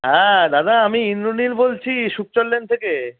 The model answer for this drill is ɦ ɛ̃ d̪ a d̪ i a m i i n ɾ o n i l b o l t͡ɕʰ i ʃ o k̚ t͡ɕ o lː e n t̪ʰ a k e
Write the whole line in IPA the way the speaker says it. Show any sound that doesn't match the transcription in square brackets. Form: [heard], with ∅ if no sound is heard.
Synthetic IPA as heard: ɦ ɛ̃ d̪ a d̪ [a] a m i i n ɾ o n i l b o l t͡ɕʰ i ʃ [u] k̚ t͡ɕ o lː e n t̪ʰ [e] k e